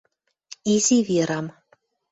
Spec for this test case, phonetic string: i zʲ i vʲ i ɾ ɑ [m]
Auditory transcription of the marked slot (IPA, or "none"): m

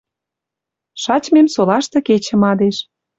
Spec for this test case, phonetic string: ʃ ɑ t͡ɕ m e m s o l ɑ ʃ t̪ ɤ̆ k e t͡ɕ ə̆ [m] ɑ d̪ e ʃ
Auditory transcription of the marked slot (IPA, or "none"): m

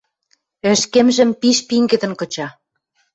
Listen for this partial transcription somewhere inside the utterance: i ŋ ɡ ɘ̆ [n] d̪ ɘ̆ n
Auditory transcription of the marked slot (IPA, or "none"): none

